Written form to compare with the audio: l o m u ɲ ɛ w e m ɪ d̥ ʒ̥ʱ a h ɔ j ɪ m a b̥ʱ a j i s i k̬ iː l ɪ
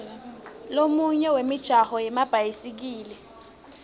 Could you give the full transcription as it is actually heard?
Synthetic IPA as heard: l o m u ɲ ɛ w e m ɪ d̥ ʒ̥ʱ a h ɔ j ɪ m a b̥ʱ a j i s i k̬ iː l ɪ